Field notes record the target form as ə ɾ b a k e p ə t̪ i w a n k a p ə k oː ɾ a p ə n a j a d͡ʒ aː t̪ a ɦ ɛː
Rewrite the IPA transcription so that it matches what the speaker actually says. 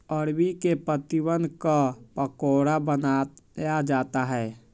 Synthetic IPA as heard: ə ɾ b i k e p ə t̪ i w ə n k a p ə k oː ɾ a b ə n a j a d͡ʒ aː t̪ a ɦ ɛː